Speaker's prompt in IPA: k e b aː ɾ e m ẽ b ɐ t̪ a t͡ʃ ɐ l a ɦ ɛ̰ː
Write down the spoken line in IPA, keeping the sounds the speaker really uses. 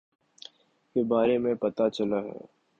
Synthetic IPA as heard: k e b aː ɾ e m ẽ p ɐ t̪ a t͡ʃ ɐ l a ɦ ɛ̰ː